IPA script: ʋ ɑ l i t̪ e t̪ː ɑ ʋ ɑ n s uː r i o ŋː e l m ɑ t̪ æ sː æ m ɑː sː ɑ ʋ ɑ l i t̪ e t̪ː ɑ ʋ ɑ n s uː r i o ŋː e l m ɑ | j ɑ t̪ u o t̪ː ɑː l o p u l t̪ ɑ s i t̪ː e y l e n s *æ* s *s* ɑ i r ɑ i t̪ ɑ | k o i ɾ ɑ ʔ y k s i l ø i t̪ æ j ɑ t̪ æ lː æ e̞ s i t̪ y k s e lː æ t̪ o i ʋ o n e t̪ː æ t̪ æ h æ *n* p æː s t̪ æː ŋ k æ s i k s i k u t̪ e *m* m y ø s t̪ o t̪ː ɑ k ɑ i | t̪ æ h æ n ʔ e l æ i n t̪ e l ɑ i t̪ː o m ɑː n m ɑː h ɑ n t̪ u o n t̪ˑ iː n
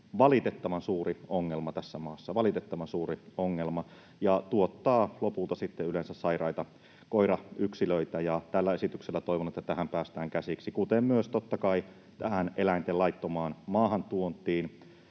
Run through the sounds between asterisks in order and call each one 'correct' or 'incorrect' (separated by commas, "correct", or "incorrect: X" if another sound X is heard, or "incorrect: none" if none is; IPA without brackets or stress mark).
correct, correct, incorrect: m, correct